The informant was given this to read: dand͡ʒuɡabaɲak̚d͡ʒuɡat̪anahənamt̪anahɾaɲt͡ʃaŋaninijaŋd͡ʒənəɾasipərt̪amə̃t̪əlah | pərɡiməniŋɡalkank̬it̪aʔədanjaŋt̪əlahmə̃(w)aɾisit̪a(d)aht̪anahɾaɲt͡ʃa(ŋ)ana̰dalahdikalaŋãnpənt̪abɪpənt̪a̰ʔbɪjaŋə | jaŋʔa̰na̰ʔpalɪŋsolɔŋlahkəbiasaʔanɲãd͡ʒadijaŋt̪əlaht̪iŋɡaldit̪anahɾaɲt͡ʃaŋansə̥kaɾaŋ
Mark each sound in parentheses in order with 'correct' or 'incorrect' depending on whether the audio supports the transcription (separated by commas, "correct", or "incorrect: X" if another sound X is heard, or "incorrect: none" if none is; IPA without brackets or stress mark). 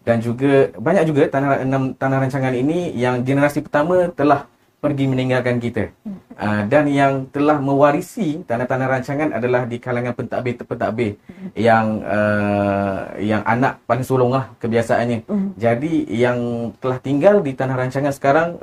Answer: correct, incorrect: n, correct